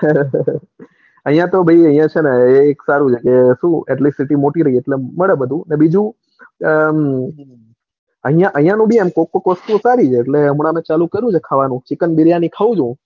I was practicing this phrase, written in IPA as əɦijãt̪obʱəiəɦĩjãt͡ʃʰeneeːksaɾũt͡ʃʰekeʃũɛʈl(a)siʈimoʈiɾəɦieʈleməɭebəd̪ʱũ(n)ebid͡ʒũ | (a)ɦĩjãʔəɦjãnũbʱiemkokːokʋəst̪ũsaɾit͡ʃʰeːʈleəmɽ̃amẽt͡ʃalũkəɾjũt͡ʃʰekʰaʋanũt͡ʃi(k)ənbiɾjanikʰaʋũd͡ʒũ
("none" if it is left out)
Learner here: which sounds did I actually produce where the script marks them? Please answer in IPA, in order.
i, n, ə, k

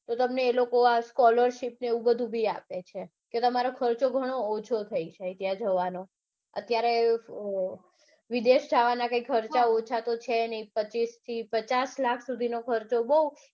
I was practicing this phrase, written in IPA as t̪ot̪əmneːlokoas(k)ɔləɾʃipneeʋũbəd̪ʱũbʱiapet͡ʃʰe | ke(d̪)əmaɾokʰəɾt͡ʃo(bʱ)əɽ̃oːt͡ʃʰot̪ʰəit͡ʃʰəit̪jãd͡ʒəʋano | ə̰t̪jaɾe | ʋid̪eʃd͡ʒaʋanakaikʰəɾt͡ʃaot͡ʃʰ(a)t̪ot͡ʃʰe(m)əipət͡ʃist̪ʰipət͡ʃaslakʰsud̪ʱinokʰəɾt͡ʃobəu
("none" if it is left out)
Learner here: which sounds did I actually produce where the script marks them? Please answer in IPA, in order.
k, t̪, ɡʱ, a, n

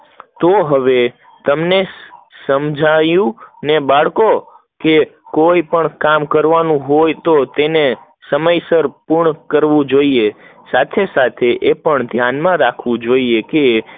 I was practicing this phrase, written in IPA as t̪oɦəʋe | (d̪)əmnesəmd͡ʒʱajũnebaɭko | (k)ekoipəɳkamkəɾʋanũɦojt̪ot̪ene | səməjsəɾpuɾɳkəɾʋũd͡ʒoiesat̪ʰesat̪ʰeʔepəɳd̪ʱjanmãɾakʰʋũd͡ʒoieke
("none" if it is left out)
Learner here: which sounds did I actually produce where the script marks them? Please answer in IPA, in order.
t̪, k

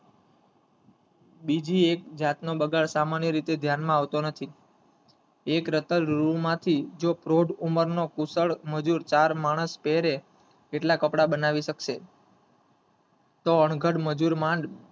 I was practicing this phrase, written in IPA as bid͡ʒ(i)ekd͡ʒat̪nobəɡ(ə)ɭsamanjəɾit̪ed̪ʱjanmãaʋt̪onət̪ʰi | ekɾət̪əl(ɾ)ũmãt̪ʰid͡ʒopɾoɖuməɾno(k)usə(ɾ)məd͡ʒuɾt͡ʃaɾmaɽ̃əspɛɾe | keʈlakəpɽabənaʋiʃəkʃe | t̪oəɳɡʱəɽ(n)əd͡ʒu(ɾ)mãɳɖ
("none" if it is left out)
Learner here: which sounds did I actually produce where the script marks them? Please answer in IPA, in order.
i, a, ɾ, k, ɭ, m, ɾ

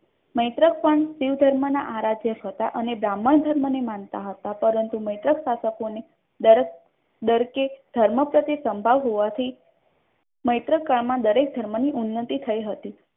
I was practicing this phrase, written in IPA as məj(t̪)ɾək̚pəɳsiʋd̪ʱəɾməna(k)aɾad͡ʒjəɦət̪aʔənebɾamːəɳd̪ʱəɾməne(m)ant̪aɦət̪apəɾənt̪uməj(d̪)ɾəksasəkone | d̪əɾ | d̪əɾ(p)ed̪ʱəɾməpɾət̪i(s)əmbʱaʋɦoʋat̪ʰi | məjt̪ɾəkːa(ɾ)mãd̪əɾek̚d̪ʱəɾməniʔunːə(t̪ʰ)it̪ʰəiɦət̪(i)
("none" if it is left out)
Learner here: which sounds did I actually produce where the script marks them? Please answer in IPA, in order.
t̪, ʔ, m, t̪, k, s, ɭ, t̪, i

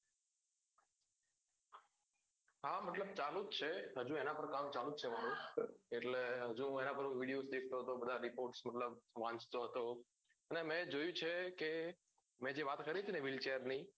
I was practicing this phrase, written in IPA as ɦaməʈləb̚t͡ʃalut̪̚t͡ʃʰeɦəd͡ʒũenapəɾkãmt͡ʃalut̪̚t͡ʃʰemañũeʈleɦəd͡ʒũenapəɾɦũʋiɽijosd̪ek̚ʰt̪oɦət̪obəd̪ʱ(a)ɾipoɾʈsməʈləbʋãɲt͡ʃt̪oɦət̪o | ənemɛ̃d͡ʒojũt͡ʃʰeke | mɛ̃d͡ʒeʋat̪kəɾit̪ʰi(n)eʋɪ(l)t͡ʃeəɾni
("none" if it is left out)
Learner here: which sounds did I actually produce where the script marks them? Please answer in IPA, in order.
a, n, l

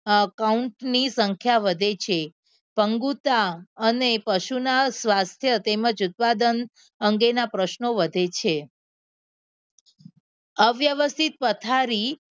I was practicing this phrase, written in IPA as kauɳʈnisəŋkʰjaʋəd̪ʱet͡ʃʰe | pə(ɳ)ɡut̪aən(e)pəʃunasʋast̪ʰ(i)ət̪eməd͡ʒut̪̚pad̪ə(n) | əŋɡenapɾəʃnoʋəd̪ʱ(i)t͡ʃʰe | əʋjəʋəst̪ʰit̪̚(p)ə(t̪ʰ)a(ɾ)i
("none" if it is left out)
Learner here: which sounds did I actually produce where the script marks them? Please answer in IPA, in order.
ŋ, e, j, n, e, p, t̪ʰ, ɾ

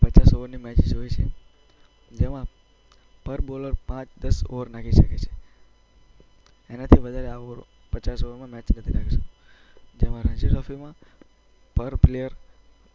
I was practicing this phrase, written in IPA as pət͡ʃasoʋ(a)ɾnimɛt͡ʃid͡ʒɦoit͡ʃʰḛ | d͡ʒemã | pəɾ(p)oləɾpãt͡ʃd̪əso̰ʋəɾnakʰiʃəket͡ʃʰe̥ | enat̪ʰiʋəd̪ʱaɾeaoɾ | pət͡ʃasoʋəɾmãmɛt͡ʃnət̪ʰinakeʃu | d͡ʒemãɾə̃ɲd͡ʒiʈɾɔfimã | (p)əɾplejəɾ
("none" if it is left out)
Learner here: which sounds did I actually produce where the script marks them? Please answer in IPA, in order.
ə, b, p

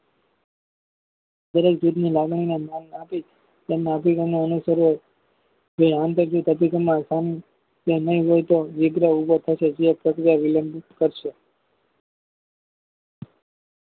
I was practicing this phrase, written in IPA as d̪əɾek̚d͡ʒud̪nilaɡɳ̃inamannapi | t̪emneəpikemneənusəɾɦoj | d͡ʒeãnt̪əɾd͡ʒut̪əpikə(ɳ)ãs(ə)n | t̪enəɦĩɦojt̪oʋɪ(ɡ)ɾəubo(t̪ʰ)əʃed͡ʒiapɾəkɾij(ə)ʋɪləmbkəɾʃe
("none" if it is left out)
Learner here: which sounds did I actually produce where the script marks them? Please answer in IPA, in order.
m, a, ɡ, t̪ʰ, a

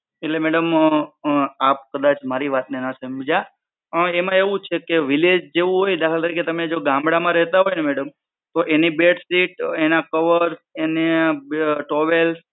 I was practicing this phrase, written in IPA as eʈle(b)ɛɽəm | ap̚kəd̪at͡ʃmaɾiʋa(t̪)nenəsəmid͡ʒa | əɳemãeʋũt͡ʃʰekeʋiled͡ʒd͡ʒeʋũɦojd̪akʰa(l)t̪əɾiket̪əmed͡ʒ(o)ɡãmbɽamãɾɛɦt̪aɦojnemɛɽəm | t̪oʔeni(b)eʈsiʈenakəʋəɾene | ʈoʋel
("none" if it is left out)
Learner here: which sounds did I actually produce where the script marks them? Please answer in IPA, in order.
m, t̪, l, o, b

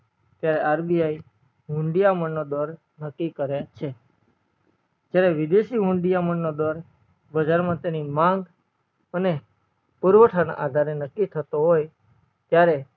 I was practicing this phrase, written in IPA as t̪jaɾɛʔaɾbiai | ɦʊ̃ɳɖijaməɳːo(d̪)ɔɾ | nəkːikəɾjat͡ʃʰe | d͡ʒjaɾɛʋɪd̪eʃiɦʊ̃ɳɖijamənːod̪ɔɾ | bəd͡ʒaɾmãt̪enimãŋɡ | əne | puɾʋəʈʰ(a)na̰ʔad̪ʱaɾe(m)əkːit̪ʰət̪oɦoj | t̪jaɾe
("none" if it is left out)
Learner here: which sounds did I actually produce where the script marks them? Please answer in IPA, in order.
d̪, a, n

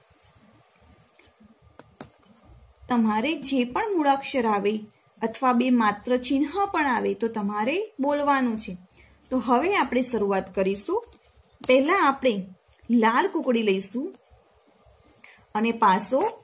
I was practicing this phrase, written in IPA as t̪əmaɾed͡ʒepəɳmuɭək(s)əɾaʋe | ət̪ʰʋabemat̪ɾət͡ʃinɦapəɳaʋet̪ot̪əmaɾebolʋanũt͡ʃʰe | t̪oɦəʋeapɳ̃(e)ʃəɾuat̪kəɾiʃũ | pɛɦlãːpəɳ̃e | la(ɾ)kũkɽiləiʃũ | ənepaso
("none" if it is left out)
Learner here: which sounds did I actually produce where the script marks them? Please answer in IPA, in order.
ʃ, e, l

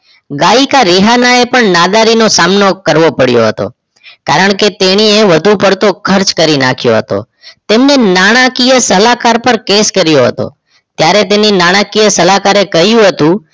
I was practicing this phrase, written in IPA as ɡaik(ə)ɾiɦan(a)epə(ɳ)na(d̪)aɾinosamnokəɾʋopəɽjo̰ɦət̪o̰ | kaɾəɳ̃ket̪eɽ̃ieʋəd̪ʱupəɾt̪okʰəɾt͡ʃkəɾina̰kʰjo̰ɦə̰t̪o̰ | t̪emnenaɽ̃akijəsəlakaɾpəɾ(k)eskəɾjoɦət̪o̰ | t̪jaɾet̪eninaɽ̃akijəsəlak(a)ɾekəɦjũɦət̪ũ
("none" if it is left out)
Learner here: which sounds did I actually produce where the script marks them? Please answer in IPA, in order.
a, a, ɳ, d̪, k, a

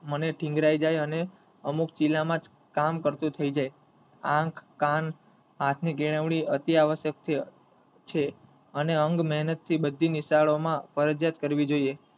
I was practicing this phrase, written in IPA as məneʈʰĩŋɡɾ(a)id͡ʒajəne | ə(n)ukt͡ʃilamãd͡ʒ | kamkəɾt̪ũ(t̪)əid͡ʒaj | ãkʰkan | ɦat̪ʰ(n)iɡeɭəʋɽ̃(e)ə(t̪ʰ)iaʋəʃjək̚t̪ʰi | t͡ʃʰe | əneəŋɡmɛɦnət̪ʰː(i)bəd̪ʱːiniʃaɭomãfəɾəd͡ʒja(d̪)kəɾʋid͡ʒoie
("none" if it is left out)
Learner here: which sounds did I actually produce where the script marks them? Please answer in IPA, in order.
a, m, t̪ʰ, n, i, t̪, i, t̪

